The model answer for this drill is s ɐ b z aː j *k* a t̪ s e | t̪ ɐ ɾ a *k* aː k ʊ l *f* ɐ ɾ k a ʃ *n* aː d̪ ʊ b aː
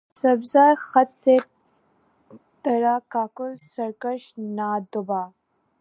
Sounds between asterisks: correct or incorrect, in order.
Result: incorrect: x, correct, incorrect: s, correct

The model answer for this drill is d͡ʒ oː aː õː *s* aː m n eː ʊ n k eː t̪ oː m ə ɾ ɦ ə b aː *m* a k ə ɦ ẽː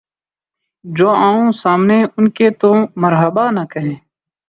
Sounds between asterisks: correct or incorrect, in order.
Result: correct, incorrect: n

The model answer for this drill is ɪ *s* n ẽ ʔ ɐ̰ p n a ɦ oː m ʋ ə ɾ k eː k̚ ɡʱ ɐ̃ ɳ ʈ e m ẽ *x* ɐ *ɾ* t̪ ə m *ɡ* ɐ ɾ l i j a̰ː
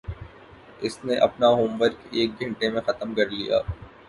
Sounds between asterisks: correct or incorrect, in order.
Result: correct, correct, incorrect: none, incorrect: k

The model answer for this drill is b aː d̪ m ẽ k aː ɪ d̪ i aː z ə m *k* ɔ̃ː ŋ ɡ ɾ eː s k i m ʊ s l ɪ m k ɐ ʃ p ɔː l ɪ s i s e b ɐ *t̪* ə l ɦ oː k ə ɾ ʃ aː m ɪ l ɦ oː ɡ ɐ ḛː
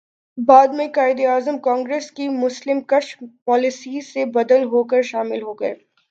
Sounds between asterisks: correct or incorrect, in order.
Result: correct, incorrect: d̪

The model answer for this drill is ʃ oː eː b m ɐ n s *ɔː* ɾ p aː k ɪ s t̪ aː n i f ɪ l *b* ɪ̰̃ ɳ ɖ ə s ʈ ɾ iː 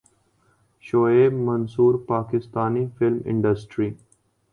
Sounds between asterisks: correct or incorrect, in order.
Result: incorrect: uː, incorrect: m

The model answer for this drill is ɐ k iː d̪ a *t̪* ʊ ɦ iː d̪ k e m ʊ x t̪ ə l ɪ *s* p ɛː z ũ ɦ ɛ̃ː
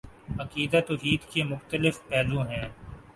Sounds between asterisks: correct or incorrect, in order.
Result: correct, incorrect: f

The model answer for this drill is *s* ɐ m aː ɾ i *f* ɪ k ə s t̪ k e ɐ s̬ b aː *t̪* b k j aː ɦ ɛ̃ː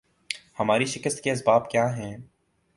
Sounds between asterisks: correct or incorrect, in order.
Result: incorrect: h, incorrect: ʃ, incorrect: none

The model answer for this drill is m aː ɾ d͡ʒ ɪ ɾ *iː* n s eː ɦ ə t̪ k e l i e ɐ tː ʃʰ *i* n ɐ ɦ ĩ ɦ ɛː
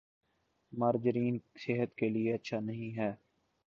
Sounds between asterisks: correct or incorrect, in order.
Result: correct, incorrect: a

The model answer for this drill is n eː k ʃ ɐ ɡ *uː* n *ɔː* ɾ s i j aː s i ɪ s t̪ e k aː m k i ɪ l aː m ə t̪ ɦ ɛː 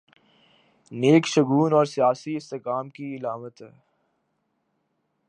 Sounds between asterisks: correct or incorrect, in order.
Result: correct, correct

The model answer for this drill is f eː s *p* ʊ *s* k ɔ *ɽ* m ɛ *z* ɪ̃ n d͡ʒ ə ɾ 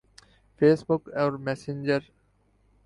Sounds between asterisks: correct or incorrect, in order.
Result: incorrect: b, incorrect: none, incorrect: ɾ, incorrect: s

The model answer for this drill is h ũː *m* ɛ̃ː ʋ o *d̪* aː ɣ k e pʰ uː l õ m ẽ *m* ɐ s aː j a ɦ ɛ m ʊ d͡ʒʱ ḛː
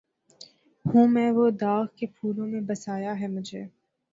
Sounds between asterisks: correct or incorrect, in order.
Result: correct, correct, incorrect: b

